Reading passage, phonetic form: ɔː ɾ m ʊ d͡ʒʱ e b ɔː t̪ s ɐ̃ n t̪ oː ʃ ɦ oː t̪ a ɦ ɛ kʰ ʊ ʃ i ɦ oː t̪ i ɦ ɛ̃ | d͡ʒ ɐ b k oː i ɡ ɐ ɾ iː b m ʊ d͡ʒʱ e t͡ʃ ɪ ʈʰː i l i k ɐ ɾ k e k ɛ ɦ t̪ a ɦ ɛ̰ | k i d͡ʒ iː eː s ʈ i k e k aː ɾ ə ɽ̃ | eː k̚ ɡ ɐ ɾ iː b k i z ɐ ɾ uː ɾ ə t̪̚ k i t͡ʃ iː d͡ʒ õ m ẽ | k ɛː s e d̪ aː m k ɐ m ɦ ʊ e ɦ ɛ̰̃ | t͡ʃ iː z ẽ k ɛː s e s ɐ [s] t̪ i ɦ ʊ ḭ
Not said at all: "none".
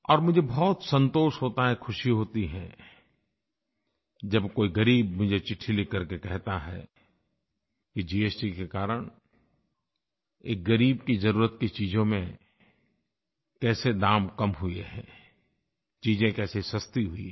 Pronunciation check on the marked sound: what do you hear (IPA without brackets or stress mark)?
s